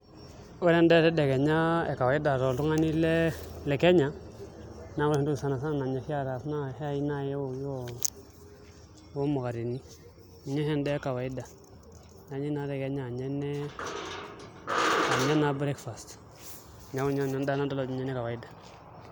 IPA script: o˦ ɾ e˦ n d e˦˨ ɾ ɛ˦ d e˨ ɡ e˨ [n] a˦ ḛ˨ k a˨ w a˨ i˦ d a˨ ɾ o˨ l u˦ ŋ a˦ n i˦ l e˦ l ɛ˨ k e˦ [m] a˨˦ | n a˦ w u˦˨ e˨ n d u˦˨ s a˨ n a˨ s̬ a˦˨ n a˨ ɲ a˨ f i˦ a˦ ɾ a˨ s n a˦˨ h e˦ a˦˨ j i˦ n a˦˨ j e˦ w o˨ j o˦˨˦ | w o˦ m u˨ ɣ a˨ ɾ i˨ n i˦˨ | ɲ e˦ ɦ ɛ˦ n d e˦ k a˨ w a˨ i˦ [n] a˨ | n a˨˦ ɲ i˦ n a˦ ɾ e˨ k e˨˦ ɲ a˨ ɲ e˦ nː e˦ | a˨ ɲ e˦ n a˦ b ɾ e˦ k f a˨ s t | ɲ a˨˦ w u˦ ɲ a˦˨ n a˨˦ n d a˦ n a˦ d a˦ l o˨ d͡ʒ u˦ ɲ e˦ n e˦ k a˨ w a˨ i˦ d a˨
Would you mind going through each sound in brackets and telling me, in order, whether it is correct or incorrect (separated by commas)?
incorrect, incorrect, incorrect